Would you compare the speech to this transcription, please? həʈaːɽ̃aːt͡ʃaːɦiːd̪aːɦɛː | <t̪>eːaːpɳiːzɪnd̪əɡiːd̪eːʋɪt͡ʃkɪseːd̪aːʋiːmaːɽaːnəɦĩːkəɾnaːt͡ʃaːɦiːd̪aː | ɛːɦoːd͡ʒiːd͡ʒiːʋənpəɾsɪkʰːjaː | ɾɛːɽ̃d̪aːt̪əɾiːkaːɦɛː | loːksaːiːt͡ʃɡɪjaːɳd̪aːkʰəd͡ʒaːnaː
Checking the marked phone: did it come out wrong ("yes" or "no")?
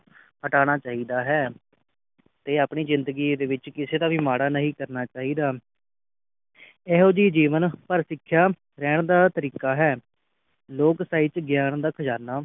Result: no